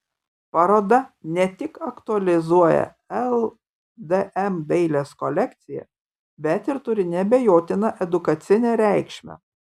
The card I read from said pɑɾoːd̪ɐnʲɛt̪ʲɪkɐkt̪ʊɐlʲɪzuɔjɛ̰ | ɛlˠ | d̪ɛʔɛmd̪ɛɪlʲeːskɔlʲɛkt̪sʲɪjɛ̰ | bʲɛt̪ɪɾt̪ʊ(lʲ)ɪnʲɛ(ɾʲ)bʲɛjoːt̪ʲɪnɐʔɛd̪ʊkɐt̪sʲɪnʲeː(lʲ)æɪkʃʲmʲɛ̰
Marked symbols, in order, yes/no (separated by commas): no, no, no